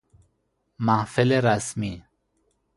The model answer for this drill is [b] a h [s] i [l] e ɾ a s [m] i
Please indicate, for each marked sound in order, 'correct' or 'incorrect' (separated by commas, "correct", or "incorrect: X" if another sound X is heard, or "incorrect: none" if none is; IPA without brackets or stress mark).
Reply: incorrect: m, incorrect: f, correct, correct